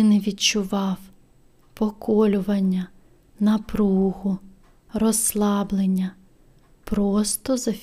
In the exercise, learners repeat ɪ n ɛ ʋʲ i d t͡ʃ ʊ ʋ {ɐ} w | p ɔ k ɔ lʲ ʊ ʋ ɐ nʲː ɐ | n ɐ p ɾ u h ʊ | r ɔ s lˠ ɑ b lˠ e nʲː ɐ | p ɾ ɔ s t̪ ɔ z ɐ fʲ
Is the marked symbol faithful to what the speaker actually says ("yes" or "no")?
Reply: no